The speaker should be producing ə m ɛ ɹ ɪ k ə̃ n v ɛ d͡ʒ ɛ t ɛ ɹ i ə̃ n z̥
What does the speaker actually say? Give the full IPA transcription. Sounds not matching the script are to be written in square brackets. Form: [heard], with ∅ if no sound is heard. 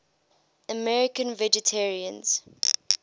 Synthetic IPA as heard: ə m ɛ ɹ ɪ k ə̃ n v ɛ d͡ʒ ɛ [tʰ] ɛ ɹ i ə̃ n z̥

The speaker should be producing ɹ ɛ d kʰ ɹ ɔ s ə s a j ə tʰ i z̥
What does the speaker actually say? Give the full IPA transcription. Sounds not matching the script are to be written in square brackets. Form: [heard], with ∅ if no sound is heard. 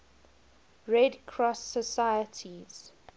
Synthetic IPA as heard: ɹ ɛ d kʰ ɹ ɔ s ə s a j ə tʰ i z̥

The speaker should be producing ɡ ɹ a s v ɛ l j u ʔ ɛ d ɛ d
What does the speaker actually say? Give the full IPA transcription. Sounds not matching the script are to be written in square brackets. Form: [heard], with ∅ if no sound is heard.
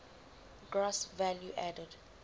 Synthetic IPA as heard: ɡ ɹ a s v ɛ l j u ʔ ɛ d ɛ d

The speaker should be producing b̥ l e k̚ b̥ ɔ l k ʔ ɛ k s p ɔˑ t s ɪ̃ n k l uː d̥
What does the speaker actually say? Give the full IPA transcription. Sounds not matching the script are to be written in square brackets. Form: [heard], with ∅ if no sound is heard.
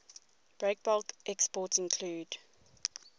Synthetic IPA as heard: b̥ [ɹ] e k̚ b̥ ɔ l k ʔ ɛ k s p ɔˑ t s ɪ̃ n [kʰ] l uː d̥

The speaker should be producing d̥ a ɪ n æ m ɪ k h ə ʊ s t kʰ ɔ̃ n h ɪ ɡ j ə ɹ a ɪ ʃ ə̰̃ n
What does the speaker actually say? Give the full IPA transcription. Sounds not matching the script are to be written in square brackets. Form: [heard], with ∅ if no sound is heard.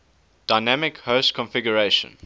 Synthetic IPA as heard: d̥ a ɪ n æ m ɪ k h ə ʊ s t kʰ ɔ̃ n [f] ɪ ɡ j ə ɹ [e] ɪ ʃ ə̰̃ n

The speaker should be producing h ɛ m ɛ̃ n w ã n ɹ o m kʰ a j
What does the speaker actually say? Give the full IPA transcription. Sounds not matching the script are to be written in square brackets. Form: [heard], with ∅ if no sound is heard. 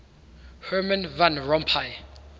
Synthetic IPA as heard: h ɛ m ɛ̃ n [v] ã n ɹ [ɔ] m [pʰ] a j

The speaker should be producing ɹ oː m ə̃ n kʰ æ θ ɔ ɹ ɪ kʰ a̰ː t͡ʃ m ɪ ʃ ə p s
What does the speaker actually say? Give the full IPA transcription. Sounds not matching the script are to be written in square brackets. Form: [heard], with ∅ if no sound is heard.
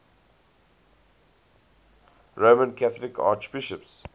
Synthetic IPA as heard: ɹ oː m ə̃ n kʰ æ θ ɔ [l] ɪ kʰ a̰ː t͡ʃ [b] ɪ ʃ ə p s

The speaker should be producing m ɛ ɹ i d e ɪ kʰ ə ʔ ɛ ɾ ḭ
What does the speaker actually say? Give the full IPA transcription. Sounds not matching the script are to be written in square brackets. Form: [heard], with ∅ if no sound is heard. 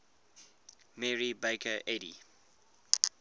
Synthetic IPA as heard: m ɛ ɹ i [b] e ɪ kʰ ə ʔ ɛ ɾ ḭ

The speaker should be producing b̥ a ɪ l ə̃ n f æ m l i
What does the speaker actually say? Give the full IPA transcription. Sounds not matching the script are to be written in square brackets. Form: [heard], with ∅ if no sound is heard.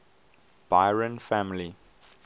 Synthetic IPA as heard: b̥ a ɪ [ɹ] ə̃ n f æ m l i

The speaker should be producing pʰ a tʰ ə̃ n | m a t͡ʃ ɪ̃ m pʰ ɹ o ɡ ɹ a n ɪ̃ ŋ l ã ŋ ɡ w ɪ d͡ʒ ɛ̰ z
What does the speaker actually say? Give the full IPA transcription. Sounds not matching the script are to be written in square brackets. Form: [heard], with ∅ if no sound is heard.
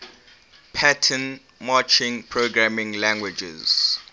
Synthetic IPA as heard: pʰ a tʰ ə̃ n | m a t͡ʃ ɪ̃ [ŋ] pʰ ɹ o ɡ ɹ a [m] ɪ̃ ŋ l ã ŋ ɡ w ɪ d͡ʒ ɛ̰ z

